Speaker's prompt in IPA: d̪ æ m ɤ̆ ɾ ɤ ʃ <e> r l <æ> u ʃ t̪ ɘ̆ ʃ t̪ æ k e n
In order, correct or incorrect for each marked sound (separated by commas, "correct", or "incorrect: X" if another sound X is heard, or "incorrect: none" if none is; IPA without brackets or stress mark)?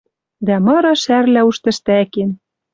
incorrect: æ, correct